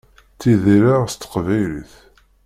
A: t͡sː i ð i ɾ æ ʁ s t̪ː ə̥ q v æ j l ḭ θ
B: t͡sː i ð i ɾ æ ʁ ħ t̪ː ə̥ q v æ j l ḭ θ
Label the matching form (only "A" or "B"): A